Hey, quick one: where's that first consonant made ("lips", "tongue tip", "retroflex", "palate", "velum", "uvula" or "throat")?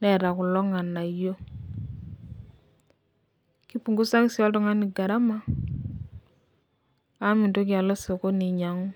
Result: tongue tip